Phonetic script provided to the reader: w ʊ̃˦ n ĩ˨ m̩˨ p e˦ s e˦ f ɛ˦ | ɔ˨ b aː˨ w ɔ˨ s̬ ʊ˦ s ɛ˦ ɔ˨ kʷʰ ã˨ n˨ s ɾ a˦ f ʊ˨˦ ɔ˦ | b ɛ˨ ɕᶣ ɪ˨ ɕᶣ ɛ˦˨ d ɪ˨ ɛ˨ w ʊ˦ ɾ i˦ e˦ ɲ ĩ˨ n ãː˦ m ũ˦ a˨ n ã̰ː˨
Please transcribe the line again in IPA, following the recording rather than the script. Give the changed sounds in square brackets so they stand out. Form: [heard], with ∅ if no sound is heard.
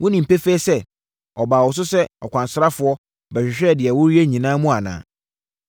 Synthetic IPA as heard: w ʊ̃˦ n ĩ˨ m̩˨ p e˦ [f] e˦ [s] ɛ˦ | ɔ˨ b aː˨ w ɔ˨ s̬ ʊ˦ s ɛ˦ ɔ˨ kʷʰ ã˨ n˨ s ɾ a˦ f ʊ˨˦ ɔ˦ | b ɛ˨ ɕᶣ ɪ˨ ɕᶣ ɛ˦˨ d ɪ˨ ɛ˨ w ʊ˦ ɾ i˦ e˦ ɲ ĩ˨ n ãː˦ m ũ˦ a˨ n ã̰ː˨

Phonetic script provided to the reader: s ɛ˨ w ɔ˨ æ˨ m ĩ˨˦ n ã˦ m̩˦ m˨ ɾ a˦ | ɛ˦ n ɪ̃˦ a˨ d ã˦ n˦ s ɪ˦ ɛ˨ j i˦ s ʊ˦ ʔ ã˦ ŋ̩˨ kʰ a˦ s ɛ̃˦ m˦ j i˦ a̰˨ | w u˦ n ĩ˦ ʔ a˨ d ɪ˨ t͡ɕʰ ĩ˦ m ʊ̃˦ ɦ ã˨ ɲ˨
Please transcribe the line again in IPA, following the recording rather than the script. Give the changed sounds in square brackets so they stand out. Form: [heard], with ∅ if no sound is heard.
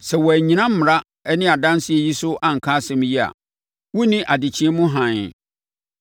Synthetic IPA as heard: s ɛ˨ w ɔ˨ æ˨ [ɲ] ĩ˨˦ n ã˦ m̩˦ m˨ ɾ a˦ | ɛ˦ n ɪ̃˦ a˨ d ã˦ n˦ s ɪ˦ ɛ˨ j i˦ s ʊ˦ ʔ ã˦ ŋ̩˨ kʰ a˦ s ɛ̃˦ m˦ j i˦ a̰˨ | w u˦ n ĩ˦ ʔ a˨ d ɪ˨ t͡ɕʰ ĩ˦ m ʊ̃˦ ɦ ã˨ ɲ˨

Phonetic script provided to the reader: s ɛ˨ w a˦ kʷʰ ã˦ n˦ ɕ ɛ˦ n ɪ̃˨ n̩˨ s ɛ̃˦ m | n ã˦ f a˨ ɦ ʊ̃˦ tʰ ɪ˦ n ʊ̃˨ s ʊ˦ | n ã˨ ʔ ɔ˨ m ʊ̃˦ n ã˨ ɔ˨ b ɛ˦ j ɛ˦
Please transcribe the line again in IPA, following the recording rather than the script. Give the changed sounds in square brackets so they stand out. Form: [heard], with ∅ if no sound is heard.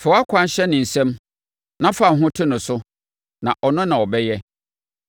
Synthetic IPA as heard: [f] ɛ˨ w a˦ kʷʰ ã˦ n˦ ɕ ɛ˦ n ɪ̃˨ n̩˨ s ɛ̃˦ m | n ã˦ f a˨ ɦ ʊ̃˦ tʰ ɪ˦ n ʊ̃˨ s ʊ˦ | n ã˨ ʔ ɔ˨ [n] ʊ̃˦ n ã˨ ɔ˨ b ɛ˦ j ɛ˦

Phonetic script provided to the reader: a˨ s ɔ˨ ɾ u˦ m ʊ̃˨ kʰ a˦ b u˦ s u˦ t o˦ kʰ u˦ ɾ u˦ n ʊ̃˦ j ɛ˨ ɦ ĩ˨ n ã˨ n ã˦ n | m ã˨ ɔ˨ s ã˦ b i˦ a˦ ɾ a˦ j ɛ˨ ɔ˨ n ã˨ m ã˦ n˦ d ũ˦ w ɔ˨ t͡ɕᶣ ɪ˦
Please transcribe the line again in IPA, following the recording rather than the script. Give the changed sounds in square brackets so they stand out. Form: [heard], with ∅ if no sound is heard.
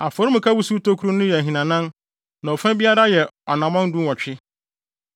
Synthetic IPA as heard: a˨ [f] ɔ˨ ɾ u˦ m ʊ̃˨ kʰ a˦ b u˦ s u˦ t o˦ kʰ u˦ ɾ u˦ n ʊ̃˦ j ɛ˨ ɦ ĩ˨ n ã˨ n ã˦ n | [n] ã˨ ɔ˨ [f] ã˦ b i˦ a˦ ɾ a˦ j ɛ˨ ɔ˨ n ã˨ m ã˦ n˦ d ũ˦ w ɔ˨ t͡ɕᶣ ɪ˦

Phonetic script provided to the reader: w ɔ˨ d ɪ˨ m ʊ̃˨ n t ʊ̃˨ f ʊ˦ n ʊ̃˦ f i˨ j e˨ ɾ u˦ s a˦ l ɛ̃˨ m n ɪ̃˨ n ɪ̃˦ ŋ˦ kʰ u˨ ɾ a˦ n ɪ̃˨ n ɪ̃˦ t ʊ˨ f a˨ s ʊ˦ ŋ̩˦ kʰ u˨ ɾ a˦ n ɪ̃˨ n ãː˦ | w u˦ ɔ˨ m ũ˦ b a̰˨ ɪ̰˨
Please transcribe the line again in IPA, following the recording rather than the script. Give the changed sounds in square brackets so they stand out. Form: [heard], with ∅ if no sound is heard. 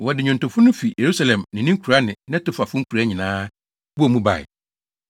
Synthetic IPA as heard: w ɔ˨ d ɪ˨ [ɲ] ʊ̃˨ n t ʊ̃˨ f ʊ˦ n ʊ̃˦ f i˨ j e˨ ɾ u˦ s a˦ l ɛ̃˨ m n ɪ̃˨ n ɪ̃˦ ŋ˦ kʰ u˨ ɾ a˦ n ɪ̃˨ n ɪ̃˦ t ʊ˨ f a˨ [f] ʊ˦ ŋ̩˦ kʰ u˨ ɾ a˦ [ɲ] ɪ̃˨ n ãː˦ | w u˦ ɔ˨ m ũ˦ b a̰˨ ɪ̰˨

